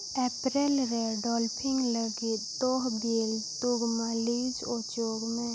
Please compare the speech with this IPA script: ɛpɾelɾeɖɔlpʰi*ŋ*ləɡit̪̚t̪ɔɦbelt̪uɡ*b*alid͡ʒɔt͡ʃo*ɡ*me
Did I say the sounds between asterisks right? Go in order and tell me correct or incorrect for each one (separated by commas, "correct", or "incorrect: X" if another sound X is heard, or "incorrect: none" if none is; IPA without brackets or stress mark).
correct, incorrect: m, correct